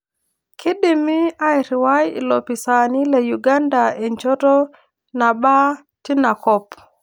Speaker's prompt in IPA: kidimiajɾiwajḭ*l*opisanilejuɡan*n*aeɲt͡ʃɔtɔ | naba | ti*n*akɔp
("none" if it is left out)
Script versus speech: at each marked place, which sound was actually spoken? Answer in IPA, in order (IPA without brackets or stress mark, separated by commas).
l, d, n